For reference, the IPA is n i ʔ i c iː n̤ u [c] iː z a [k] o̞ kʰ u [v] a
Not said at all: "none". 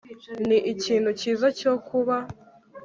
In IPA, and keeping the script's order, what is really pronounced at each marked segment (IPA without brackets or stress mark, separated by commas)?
c, c, β